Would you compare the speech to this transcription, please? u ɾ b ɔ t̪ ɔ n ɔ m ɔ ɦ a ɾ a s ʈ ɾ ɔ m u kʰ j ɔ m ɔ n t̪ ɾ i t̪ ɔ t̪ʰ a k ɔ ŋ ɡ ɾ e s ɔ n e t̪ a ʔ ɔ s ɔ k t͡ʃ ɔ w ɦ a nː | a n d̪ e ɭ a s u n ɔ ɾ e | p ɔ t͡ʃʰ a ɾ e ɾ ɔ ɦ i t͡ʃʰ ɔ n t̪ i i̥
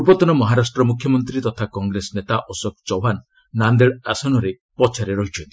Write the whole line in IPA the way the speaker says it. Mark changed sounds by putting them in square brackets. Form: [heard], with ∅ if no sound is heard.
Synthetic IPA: u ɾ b ɔ t̪ ɔ n ɔ m ɔ ɦ a ɾ a s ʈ ɾ ɔ m u kʰ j ɔ m ɔ n t̪ ɾ i t̪ ɔ t̪ʰ a k ɔ ŋ ɡ ɾ e s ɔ n e t̪ a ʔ ɔ s ɔ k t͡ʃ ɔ w ɦ a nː | a n d̪ e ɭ a s [ɔ] n ɔ ɾ e | p ɔ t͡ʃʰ a ɾ e ɾ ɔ ɦ i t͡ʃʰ ɔ n t̪ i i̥